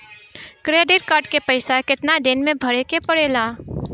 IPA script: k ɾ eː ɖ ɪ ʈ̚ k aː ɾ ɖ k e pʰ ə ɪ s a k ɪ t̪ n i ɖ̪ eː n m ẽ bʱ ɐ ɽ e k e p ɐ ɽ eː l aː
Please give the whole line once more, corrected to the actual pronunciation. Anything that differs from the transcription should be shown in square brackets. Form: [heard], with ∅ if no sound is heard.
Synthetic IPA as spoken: k ɾ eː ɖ ɪ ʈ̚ k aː ɾ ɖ k e [p] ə ɪ s a k ɪ t̪ n [a] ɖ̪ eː n m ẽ bʱ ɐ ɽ e k e p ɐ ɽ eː l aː